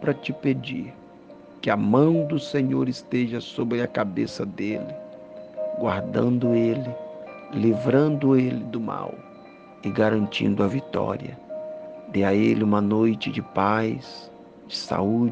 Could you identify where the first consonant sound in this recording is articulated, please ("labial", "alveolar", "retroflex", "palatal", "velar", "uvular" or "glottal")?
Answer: labial